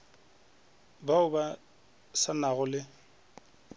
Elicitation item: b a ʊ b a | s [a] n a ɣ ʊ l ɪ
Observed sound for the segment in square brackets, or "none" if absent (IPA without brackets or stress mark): a